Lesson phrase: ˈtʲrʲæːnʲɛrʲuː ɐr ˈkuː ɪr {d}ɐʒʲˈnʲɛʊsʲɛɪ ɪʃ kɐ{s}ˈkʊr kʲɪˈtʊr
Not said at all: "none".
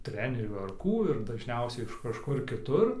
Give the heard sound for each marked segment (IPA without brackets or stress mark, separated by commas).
d, ʃ